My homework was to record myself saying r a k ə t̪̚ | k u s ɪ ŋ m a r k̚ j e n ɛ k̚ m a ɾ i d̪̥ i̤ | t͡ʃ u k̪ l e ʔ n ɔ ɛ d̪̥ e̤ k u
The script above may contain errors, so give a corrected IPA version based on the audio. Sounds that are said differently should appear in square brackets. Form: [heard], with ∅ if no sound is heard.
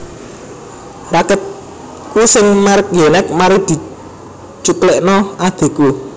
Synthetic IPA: r a k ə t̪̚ | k u s ɪ ŋ m a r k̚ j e n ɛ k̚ m a ɾ i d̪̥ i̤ | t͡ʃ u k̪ l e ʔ n ɔ [a] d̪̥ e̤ k u